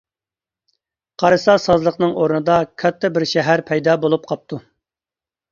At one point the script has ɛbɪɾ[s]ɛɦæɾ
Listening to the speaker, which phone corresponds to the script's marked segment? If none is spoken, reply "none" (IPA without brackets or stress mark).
ʃ